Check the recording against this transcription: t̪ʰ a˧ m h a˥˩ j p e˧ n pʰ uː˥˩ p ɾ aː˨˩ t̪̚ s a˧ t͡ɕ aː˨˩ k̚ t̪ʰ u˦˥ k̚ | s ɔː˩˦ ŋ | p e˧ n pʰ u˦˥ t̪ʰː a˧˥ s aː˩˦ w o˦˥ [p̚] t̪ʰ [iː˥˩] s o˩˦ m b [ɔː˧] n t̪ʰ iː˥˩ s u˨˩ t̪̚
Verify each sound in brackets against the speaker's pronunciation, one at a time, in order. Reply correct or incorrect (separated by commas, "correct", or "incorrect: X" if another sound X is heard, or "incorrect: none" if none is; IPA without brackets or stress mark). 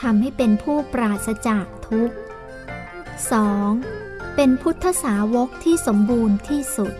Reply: incorrect: k̚, correct, incorrect: uː˧